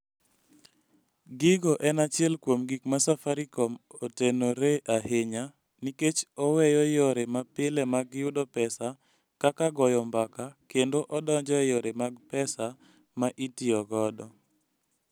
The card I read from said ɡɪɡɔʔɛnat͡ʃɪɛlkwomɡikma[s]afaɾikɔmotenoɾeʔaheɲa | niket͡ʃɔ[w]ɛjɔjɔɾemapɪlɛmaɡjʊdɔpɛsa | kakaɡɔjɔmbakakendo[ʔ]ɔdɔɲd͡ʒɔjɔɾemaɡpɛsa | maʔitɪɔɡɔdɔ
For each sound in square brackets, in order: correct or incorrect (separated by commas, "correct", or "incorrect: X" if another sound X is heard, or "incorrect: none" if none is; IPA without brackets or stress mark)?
correct, correct, correct